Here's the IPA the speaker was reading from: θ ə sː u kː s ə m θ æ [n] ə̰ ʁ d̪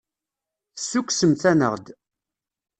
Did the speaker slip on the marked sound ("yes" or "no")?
no